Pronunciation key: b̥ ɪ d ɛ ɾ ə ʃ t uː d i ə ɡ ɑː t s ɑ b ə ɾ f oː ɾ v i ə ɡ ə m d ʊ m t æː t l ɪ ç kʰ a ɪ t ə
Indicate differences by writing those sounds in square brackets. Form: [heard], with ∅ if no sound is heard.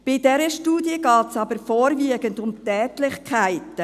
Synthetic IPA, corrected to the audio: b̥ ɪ d ɛ ɾ ə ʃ t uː d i ə ɡ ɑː t s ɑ b ə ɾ f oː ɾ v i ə ɡ ə [n] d ʊ m t [ɛː] t l ɪ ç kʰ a ɪ t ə